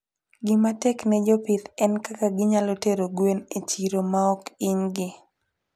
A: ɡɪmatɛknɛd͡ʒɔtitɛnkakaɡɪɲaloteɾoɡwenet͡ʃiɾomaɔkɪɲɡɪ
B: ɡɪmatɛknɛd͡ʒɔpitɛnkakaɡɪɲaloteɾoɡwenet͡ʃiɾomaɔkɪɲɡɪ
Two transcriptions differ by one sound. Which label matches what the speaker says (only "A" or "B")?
B